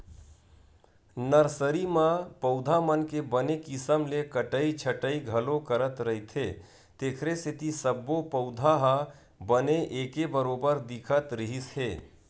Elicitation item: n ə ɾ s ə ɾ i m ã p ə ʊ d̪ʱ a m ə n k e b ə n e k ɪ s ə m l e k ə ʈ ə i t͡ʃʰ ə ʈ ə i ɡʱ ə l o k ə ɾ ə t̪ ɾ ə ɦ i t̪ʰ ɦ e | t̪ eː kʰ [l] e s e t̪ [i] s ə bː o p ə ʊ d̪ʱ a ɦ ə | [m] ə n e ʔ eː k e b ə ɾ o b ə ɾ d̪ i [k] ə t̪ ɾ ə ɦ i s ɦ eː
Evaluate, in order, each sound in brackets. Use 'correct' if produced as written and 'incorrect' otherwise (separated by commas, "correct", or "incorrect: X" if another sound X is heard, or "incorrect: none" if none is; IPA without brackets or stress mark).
incorrect: ɾ, correct, incorrect: b, incorrect: kʰ